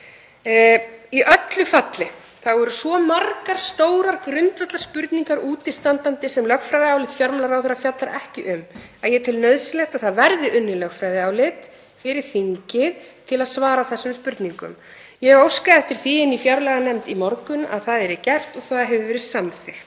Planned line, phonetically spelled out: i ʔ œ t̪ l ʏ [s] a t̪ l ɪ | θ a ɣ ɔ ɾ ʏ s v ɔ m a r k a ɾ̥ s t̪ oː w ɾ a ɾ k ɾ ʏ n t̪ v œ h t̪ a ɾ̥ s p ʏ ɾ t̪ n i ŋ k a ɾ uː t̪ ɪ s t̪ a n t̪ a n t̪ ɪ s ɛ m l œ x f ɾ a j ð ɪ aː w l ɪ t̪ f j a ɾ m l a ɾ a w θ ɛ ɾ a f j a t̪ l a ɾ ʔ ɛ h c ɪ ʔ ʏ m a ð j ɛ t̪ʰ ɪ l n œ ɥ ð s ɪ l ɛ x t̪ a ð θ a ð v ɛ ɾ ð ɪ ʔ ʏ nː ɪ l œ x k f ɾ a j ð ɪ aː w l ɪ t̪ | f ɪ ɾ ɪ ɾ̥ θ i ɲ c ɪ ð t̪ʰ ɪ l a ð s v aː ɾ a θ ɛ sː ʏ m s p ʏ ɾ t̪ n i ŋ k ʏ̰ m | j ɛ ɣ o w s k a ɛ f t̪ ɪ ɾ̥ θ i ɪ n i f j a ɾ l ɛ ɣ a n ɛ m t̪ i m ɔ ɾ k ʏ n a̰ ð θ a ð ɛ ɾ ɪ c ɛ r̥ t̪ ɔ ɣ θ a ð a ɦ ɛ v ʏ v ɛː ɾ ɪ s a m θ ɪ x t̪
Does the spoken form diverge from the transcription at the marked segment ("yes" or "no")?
yes